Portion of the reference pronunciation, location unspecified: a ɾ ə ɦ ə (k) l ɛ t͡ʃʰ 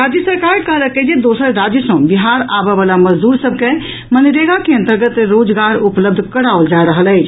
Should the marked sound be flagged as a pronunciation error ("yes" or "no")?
yes